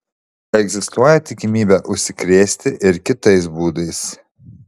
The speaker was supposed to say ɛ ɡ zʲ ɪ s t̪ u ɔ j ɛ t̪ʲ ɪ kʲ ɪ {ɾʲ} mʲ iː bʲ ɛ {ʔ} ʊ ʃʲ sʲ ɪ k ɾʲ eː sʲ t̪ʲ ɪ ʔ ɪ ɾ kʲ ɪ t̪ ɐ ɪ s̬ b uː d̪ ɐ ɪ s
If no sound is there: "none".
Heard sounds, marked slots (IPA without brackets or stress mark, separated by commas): none, ʔ